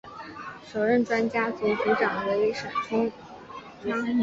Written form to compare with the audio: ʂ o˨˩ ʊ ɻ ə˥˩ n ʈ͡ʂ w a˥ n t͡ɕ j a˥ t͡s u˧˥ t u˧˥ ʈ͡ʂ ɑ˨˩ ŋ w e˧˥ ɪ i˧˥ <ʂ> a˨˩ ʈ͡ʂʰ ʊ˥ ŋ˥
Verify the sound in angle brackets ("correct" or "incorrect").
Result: correct